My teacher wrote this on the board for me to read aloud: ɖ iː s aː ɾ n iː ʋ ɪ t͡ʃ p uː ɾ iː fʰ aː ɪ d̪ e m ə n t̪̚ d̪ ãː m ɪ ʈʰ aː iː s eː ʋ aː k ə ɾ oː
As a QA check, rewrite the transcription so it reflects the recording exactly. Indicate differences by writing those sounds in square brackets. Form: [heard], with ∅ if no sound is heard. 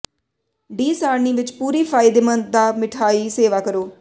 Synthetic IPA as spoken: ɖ iː s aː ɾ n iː ʋ ɪ t͡ʃ p uː ɾ iː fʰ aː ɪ d̪ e m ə n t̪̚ d̪ [aː] m ɪ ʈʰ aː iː s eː ʋ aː k ə ɾ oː

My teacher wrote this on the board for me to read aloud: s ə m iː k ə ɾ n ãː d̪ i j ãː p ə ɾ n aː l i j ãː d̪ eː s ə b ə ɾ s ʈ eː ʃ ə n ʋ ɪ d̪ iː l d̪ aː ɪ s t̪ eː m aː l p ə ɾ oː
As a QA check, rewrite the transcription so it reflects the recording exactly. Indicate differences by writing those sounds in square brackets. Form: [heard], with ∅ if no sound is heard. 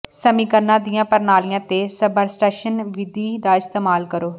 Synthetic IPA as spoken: s ə m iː k ə ɾ n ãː d̪ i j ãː p ə ɾ n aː l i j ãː [t̪] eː s ə b ə ɾ s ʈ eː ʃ ə n ʋ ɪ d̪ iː [∅] d̪ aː ɪ s t̪ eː m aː l [k] ə ɾ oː

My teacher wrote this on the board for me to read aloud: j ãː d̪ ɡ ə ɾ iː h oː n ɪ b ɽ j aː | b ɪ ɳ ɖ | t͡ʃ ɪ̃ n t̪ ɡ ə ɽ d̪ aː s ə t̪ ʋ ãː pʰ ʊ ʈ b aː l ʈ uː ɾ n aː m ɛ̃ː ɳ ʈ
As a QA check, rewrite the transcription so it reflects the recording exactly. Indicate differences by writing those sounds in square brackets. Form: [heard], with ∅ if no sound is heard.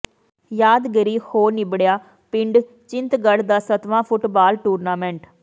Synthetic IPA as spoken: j [aː] d̪ ɡ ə ɾ iː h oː n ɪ b ɽ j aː | [p] ɪ ɳ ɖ | t͡ʃ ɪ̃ n t̪ ɡ ə ɽ d̪ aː s ə t̪ ʋ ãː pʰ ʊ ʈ b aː l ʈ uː ɾ n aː m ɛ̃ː ɳ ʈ

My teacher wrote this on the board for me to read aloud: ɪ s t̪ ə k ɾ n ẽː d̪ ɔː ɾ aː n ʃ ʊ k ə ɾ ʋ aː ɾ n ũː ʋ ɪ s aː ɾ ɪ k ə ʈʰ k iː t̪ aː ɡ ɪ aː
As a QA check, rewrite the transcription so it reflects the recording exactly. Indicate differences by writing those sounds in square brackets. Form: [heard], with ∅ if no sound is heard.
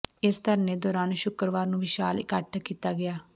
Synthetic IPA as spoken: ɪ s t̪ ə [∅] ɾ n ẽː d̪ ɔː ɾ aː n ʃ ʊ k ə ɾ ʋ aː ɾ n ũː ʋ ɪ [ʃ] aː [l] ɪ k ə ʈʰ k iː t̪ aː ɡ ɪ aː

